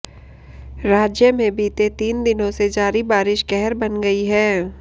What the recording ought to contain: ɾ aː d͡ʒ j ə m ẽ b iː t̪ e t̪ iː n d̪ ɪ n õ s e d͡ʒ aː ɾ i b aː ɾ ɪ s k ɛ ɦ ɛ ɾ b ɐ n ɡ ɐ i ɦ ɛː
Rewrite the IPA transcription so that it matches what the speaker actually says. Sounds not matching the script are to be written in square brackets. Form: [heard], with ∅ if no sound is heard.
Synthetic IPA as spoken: ɾ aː d͡ʒ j ə m ẽ b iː t̪ e t̪ iː n d̪ ɪ n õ s e d͡ʒ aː ɾ i b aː ɾ ɪ [ʃ] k ɛ ɦ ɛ ɾ b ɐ n ɡ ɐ i ɦ ɛː